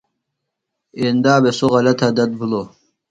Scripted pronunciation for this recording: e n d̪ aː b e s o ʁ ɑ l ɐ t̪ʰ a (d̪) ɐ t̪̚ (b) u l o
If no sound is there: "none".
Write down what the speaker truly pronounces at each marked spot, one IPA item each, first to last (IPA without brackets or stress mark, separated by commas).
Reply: d̪, b